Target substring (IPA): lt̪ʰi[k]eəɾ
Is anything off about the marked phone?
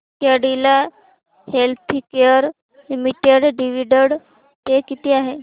no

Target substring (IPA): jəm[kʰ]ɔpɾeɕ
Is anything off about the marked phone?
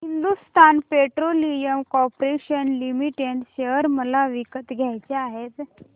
yes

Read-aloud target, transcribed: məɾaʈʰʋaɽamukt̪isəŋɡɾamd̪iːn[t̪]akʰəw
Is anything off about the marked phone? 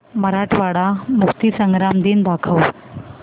yes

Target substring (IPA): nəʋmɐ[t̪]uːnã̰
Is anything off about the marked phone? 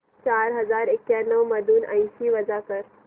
yes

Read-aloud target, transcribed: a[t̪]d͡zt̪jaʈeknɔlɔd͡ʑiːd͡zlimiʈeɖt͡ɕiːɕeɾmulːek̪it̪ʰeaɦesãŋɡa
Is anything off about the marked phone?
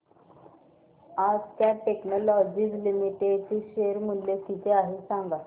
yes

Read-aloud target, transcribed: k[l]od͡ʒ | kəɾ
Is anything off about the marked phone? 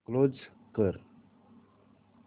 no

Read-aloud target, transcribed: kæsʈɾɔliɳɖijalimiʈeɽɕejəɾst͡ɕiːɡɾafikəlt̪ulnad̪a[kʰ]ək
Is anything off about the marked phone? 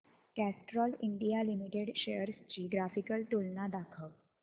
no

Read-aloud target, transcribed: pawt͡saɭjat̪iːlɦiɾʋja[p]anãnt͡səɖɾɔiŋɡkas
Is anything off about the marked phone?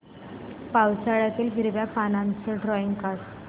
no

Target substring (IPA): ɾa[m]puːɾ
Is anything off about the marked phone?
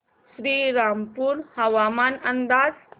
no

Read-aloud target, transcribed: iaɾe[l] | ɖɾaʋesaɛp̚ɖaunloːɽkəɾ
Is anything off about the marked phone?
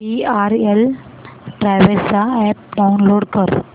no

